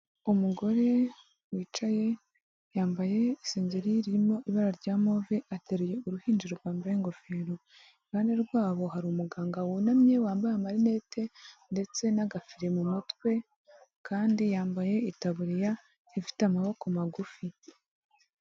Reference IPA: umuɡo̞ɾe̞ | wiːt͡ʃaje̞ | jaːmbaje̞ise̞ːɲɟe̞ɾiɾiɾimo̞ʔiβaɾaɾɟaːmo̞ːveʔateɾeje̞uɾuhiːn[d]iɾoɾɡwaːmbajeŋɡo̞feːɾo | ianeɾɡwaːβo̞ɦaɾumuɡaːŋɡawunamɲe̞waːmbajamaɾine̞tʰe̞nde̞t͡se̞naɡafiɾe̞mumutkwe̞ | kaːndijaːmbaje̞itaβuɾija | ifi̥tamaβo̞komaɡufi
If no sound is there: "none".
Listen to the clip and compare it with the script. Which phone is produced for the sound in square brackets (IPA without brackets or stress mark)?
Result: d͡ʒ